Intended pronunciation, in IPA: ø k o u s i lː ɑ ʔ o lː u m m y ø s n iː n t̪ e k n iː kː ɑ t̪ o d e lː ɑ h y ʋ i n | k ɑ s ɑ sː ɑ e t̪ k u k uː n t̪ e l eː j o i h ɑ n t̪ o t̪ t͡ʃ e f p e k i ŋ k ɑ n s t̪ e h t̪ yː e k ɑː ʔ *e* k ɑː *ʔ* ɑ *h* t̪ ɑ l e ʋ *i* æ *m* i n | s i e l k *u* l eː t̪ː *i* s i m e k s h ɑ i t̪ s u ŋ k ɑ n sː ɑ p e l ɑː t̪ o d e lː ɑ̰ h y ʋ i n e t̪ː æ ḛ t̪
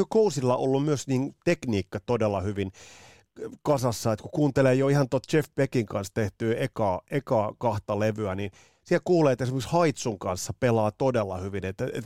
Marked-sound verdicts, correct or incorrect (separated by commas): correct, incorrect, correct, incorrect, incorrect, incorrect, incorrect